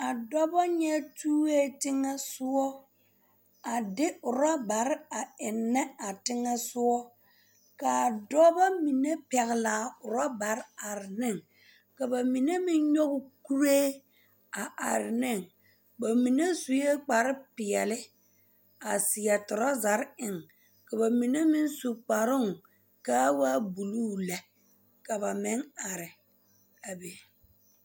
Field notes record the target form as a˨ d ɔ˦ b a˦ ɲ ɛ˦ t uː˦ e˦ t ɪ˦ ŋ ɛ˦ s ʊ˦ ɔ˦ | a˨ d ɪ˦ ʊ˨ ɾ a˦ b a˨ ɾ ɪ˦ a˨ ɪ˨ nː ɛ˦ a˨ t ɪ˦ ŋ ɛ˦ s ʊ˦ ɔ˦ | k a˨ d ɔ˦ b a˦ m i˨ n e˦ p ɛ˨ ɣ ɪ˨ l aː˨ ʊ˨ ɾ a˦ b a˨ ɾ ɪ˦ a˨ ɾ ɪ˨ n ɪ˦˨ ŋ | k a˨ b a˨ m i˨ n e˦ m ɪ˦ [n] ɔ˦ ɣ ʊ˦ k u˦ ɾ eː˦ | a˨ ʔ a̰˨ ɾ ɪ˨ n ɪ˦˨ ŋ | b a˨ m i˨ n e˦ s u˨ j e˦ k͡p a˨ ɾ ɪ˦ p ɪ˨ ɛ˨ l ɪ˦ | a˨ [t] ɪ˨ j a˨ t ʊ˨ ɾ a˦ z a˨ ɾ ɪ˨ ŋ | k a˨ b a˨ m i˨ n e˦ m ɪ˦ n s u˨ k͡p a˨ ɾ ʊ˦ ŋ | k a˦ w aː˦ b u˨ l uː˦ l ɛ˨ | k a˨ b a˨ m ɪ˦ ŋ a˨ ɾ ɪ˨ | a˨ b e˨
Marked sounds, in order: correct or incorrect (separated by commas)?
incorrect, incorrect